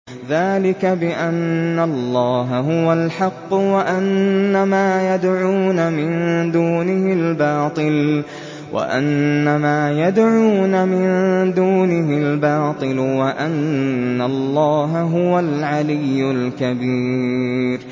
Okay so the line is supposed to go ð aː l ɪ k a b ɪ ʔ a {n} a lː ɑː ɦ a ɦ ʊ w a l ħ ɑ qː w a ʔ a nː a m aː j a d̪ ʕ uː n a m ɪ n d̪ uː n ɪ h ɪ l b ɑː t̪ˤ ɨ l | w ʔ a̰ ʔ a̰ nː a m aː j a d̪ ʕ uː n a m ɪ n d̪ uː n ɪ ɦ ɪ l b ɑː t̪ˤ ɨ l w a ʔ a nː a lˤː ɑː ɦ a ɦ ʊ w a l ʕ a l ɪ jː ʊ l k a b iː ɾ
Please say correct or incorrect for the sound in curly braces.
incorrect